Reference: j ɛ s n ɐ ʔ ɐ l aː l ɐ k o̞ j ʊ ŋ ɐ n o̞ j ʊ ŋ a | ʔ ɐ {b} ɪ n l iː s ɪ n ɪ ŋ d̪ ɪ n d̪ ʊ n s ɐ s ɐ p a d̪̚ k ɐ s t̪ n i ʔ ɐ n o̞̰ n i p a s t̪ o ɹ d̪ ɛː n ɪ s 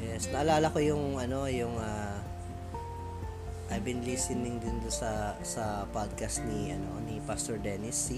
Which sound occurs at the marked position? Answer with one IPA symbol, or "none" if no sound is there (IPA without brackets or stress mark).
b